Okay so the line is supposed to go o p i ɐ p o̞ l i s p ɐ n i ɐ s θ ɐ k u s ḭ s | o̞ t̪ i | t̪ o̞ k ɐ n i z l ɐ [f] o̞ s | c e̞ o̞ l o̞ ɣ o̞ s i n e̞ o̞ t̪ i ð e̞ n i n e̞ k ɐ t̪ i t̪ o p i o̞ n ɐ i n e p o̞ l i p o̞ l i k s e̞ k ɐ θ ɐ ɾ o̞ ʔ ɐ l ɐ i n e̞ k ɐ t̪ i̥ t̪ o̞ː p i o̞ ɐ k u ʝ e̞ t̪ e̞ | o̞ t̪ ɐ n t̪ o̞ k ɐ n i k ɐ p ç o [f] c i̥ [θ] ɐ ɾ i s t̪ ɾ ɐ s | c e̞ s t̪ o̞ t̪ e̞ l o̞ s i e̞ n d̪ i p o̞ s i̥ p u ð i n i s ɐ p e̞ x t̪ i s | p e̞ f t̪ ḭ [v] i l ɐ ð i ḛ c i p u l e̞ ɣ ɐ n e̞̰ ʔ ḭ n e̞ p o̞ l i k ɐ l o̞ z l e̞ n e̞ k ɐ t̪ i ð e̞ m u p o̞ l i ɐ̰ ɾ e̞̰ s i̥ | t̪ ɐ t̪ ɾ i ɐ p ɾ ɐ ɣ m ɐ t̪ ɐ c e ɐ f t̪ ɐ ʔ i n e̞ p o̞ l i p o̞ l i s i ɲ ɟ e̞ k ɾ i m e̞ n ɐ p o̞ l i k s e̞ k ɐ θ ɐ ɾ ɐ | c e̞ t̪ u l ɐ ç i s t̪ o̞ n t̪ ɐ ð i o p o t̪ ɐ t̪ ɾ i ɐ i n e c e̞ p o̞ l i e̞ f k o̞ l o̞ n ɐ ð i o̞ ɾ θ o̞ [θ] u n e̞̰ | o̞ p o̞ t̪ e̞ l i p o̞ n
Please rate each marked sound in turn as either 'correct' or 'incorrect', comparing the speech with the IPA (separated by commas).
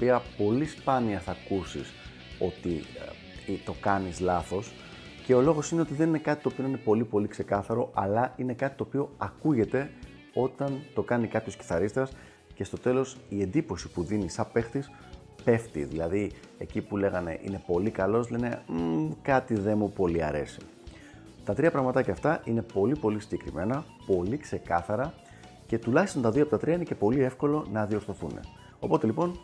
incorrect, incorrect, correct, incorrect, correct